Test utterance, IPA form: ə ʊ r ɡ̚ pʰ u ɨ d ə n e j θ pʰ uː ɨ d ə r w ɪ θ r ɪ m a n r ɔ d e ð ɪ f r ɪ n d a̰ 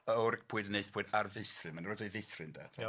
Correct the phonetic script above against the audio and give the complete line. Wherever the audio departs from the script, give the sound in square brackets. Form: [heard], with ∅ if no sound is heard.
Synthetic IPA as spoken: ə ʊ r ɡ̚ pʰ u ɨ d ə n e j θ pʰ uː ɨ d [a] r [v] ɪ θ r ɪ m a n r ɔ d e [v] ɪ [θ] r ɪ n d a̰